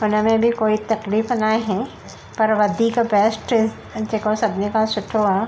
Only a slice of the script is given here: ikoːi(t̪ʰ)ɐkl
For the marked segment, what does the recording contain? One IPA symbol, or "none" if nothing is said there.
t̪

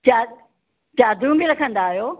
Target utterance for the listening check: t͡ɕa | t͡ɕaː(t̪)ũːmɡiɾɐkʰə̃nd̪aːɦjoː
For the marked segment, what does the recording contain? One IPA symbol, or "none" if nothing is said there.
d̪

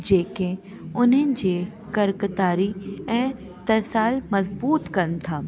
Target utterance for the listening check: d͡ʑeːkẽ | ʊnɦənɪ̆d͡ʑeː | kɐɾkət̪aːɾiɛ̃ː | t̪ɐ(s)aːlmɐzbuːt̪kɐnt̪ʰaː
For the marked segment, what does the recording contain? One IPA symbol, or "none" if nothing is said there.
s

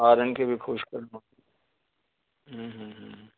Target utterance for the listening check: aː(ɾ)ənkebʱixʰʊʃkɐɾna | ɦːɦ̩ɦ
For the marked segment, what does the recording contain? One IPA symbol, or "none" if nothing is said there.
ɾ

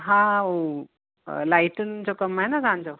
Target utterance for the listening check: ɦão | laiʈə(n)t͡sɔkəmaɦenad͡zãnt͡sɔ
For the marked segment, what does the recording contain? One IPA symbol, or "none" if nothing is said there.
n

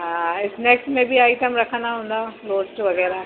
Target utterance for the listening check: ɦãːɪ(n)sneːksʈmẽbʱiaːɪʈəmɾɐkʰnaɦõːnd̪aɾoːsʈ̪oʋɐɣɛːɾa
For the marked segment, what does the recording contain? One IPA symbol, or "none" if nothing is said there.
none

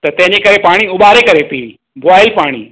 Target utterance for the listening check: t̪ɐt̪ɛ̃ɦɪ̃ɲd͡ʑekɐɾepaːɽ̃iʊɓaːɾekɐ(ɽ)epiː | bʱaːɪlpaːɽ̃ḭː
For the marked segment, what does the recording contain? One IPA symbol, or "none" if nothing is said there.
ɾ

